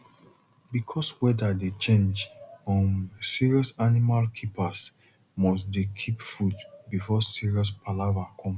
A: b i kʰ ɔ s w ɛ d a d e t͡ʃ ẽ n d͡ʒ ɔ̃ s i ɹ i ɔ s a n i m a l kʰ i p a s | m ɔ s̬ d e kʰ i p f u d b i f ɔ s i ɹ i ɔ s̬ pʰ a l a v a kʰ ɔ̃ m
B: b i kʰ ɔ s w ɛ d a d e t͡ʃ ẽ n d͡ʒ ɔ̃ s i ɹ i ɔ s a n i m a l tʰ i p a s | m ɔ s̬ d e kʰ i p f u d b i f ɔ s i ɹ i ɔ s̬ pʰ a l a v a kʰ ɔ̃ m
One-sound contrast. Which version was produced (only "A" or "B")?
A